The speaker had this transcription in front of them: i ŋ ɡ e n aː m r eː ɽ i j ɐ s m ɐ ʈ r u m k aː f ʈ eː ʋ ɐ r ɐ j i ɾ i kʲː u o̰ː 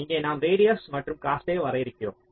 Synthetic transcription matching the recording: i ŋ ɡ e n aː m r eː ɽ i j ɐ s m ɐ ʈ r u m k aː s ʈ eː ʋ ɐ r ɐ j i ɾ i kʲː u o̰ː